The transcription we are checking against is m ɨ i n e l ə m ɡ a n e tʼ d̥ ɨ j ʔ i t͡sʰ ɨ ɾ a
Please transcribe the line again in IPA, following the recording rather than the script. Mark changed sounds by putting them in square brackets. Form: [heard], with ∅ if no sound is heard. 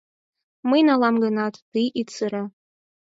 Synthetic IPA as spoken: m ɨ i n [a] l [a] m ɡ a n [a] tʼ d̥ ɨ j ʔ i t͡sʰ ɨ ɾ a